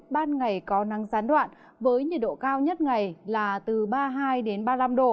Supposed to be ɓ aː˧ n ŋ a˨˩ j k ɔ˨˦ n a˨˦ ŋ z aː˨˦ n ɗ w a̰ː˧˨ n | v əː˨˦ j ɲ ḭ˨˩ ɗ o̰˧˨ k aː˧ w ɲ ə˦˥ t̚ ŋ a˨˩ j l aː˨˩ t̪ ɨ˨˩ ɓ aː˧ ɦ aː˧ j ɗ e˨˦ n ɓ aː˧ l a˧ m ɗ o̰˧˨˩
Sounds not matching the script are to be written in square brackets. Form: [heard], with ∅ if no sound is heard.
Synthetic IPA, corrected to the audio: ɓ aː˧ n ŋ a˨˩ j k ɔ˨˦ n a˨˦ ŋ z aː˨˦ n ɗ w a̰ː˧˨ n | v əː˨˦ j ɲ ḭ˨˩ ɗ o̰˧˨ k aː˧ w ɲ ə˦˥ t̚ ŋ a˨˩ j l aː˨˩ t̪ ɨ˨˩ ɓ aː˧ ɦ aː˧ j ɗ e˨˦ n ɓ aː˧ l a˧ m ɗ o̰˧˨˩